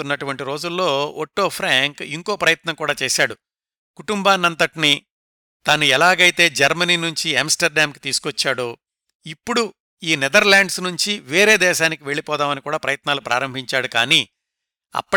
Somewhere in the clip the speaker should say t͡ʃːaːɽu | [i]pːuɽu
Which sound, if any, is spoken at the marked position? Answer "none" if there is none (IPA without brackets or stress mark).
i